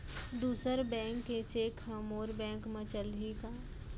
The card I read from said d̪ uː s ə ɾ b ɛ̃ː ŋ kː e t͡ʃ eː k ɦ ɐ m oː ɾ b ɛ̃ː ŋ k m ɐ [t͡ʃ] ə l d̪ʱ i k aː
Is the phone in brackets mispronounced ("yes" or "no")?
no